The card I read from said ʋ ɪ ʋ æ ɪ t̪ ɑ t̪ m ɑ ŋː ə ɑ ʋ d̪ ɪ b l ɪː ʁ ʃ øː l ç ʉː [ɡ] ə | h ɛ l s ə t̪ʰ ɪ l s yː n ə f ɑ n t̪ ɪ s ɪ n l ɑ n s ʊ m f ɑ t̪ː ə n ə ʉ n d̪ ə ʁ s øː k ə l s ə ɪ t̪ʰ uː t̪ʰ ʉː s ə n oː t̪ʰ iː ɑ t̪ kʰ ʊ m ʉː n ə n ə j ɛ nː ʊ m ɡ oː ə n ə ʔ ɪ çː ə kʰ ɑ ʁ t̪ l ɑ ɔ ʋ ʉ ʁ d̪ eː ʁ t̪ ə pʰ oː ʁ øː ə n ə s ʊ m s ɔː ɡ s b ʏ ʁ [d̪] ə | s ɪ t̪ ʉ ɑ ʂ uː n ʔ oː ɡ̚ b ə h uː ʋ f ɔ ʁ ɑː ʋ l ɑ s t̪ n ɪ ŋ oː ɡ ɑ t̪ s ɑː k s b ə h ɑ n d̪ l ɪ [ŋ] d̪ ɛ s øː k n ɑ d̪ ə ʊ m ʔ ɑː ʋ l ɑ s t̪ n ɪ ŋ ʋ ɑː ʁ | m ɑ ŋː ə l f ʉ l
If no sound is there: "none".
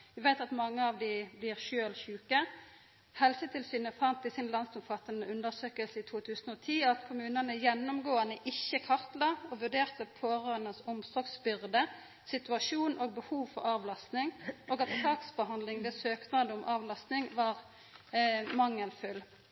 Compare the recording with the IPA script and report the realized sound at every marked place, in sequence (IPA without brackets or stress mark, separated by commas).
k, d̪, ŋ